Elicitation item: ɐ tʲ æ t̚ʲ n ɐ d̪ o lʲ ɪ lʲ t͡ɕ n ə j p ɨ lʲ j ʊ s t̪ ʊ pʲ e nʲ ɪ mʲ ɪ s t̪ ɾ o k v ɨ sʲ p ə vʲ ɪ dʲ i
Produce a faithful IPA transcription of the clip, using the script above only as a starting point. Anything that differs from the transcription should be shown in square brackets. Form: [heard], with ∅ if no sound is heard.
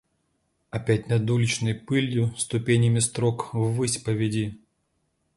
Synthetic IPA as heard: ɐ [pʲ] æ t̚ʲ n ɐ d̪ [u] lʲ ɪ [∅] t͡ɕ n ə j p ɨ lʲ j ʊ s t̪ ʊ pʲ e nʲ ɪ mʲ ɪ s t̪ ɾ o k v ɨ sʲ p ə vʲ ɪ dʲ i